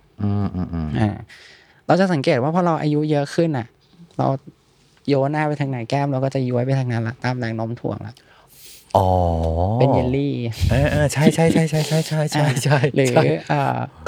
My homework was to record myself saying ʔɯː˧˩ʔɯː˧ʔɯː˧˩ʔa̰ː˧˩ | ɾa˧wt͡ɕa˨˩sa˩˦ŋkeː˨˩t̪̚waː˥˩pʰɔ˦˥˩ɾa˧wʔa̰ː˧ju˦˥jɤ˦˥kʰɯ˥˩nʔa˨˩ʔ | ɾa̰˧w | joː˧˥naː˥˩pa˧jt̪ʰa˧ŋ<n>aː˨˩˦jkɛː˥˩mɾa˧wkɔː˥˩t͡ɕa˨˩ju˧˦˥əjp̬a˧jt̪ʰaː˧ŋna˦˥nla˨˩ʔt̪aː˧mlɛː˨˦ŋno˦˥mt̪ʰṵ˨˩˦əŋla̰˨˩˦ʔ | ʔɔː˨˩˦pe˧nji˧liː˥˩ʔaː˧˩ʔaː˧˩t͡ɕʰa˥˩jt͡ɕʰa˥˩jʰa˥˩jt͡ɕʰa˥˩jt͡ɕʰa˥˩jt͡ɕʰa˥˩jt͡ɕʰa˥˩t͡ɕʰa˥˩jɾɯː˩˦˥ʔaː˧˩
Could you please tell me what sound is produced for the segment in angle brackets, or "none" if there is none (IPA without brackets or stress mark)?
n